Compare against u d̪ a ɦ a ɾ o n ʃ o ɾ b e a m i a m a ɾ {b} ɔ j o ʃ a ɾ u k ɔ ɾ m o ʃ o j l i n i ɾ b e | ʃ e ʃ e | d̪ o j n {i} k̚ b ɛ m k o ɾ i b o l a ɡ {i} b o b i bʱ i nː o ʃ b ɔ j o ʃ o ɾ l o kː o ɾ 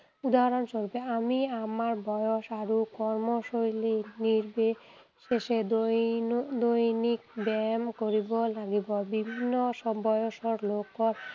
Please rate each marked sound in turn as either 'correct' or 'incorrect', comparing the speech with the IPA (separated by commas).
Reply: correct, correct, correct